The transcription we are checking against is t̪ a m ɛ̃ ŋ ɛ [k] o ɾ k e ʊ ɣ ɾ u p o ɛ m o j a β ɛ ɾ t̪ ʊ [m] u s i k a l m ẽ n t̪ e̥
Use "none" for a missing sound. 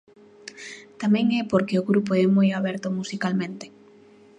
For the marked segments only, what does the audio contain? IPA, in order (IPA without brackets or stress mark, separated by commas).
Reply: p, m